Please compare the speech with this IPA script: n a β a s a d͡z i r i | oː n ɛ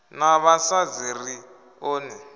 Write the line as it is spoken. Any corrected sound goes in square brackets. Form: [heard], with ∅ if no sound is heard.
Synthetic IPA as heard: n a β a s a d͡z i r i | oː n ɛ